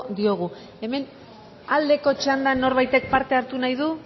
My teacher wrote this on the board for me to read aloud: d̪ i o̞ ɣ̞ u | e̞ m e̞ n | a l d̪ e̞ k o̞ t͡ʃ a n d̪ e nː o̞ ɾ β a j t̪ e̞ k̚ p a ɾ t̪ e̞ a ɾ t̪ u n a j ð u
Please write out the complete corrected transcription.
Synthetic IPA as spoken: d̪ i o̞ ɣ̞ u | e̞ m e̞ n | a l d̪ e̞ k o̞ t͡ʃ a n d̪ a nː o̞ ɾ β a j t̪ e̞ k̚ p a ɾ t̪ e̞ a ɾ t̪ u n a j ð u